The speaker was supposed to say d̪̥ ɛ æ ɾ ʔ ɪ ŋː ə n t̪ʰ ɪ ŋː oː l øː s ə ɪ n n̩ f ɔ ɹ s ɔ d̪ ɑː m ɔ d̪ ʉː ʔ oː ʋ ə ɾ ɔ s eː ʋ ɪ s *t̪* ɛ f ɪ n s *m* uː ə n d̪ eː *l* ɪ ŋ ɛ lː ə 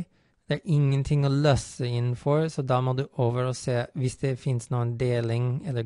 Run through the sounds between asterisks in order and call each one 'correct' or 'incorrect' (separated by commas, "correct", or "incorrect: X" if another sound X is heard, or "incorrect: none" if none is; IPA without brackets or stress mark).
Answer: incorrect: d̪, incorrect: n, correct